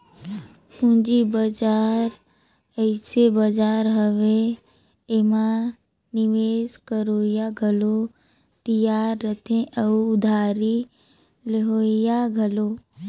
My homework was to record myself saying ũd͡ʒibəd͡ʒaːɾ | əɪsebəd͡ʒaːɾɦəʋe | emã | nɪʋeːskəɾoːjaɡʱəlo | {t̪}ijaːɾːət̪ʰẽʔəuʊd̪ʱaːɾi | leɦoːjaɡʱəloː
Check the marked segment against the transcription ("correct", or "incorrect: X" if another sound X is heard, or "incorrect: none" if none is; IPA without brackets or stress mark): correct